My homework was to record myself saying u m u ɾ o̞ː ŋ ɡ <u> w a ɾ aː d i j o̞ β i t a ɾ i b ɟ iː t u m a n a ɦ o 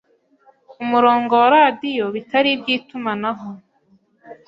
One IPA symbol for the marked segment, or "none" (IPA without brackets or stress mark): o